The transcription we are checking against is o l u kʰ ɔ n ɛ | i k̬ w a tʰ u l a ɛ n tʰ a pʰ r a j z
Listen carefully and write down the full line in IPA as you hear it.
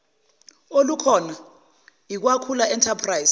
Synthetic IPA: o l u kʰ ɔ n a | i k̬ w a kʰ u l a ɛ n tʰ a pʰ r a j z